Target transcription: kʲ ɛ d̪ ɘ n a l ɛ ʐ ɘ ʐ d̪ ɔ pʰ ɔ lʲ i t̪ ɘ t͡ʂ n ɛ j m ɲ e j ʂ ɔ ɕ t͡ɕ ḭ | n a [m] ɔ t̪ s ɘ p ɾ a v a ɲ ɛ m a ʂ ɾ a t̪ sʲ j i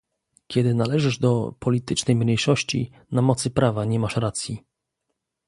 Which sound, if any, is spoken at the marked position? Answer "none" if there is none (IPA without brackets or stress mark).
m